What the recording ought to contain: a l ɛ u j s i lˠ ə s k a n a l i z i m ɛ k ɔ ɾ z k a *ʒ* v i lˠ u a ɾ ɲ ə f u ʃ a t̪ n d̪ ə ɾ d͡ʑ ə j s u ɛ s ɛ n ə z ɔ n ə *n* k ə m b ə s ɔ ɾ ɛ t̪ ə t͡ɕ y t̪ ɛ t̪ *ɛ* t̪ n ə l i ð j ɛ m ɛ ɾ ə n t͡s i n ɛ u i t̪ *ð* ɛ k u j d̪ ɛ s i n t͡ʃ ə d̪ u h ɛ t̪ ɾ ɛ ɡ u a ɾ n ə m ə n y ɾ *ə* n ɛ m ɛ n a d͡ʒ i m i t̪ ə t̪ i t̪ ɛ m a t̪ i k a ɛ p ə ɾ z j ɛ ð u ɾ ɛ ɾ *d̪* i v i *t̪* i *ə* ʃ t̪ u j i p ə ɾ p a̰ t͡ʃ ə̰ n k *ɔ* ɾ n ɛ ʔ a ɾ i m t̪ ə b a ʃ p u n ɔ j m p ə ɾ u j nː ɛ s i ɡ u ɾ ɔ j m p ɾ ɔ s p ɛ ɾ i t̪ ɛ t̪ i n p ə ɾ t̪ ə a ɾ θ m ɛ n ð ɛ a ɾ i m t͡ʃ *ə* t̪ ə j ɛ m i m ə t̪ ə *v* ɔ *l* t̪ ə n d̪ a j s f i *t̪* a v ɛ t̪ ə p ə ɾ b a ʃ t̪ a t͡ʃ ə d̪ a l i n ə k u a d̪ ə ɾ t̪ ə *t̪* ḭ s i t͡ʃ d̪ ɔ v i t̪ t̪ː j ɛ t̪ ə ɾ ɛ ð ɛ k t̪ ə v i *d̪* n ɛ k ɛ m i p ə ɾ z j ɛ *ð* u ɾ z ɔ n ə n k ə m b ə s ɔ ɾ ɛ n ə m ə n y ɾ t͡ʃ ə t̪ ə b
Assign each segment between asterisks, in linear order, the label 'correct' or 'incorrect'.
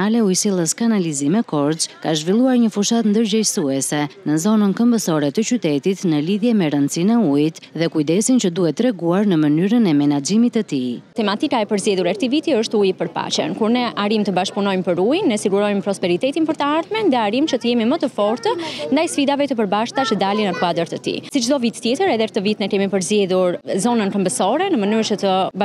correct, correct, incorrect, correct, correct, incorrect, correct, correct, incorrect, correct, incorrect, incorrect, incorrect, correct, incorrect, correct

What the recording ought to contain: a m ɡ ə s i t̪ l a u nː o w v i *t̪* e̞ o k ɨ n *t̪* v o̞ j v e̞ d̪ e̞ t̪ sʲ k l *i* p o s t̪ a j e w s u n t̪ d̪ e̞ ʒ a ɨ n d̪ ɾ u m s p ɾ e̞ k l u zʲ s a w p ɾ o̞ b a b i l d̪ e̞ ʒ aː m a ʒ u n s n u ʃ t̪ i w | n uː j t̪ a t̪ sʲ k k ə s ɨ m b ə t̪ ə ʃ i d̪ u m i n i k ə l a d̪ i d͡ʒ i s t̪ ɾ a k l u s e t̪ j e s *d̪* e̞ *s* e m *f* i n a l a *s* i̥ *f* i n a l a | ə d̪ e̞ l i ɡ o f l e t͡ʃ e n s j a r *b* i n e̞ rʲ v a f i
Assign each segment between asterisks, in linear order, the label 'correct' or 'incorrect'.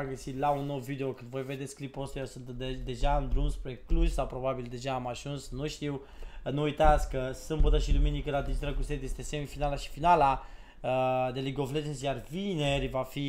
incorrect, incorrect, correct, incorrect, correct, correct, incorrect, correct, incorrect

